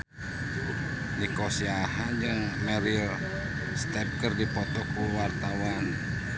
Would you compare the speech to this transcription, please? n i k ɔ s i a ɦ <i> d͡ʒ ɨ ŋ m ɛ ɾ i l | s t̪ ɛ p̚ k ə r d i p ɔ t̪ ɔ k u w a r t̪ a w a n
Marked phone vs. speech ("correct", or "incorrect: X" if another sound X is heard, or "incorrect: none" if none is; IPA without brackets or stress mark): incorrect: a